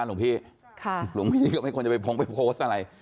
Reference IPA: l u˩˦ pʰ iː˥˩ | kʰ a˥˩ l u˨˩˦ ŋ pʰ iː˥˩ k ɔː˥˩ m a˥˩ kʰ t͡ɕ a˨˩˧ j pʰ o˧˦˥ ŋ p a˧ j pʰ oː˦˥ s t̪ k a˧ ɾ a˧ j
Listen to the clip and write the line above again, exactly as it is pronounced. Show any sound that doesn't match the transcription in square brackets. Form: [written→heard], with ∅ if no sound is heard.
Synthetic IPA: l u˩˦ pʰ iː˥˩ | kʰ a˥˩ l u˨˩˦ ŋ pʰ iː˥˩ k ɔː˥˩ m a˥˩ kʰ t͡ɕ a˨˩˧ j pʰ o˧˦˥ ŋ p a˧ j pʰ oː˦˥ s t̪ [k→ʔ] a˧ ɾ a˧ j